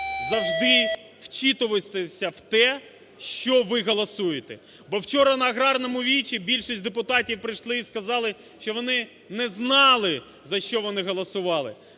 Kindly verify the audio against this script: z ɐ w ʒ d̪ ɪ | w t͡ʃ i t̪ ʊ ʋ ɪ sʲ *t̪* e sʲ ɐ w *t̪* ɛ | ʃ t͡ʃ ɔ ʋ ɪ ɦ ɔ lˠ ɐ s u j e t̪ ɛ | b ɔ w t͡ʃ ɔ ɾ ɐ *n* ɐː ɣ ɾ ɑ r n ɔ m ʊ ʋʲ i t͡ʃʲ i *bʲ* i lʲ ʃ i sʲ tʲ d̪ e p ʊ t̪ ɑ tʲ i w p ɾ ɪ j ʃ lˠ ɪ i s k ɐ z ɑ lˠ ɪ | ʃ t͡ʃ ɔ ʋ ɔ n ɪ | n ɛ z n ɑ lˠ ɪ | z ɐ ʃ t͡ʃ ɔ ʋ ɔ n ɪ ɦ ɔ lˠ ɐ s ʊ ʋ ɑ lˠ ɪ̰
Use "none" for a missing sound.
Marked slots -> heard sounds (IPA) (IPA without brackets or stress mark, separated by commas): t̪, t̪, n, bʲ